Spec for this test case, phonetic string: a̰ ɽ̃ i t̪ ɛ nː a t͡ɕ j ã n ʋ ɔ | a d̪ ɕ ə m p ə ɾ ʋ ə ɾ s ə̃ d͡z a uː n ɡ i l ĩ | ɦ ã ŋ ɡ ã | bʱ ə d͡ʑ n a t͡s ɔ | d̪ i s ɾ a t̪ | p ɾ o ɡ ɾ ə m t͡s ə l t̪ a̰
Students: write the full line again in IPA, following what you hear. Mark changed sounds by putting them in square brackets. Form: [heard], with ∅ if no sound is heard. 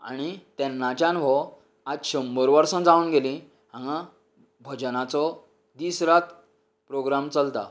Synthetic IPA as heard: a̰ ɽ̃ i t̪ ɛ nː a t͡ɕ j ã n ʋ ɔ | a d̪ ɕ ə m [b] ə ɾ ʋ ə ɾ s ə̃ d͡z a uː n ɡ [e] l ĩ | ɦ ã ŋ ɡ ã | bʱ ə d͡ʑ n a t͡s ɔ | d̪ i s ɾ a t̪ | p ɾ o ɡ ɾ [a] m t͡s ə l t̪ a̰

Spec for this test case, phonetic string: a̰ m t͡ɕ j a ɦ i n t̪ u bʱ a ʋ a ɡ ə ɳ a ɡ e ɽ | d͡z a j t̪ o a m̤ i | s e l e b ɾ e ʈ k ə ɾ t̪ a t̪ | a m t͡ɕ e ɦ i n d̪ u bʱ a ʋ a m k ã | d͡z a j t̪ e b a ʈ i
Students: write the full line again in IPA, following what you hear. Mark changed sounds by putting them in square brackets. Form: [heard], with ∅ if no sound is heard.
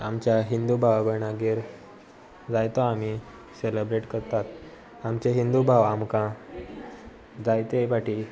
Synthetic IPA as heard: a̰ m t͡ɕ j a ɦ i n [d̪] u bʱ a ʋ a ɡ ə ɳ a ɡ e [ɾ] | d͡z a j t̪ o a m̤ i | s e l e b ɾ e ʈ k ə ɾ t̪ a t̪ | a m t͡ɕ e ɦ i n d̪ u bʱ a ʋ a m k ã | d͡z a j t̪ e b a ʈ i

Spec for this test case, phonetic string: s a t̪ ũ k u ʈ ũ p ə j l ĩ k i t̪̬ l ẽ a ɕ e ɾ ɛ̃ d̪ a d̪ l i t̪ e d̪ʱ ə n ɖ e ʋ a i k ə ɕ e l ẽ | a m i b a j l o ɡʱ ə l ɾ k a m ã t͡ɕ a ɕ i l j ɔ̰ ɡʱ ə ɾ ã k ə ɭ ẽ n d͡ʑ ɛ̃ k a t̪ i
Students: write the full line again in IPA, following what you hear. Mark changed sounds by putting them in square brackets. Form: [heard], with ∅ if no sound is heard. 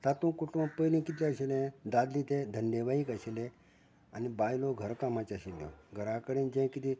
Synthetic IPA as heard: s a t̪ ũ k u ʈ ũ p ə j l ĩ k i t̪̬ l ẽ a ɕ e [l] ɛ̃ d̪ a d̪ l i t̪ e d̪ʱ ə n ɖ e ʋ a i k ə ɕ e l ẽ | a [n] i b a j l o ɡʱ ə [∅] ɾ k a m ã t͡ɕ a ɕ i l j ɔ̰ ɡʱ ə ɾ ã k ə [ɽ] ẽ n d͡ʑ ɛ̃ k [i] t̪ i

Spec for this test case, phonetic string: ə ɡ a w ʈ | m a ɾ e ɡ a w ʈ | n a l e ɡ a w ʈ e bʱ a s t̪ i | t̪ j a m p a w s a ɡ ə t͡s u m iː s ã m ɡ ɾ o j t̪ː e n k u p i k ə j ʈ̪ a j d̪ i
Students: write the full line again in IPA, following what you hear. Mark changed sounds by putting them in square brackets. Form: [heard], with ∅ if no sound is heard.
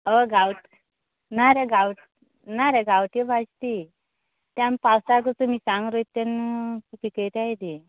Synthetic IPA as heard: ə ɡ a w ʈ | [n] a ɾ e ɡ a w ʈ | n a [ɾ] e ɡ a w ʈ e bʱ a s t̪ i | t̪ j a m p a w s a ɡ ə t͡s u m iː s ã [ŋ] ɡ ɾ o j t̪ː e n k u p i k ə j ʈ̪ a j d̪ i

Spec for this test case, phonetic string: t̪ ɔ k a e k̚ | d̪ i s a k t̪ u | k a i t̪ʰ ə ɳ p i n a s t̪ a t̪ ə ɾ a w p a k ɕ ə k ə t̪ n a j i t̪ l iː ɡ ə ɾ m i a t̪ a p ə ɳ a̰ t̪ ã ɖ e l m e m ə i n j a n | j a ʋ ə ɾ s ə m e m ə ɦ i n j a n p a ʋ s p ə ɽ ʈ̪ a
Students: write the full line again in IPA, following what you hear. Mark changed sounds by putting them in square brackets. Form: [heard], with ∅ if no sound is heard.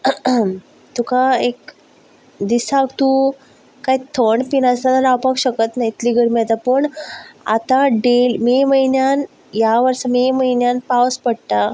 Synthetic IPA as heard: t̪ [u] k a e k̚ | d̪ i s a k t̪ u | k a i t̪ʰ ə ɳ p i n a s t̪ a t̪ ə ɾ a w p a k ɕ ə k ə t̪ n a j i t̪ l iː ɡ ə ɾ m i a t̪ a p ə ɳ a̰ t̪ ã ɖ e l m e m ə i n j a n | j a ʋ ə ɾ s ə m e m ə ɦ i n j a n p a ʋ s p ə ɽ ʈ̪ a

